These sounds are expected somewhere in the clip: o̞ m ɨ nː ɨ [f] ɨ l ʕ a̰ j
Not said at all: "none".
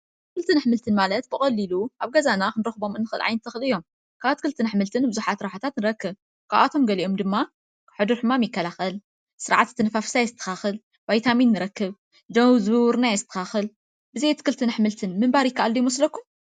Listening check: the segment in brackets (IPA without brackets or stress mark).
x